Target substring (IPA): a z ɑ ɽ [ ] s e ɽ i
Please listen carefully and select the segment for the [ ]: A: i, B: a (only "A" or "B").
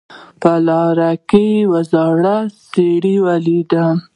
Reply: B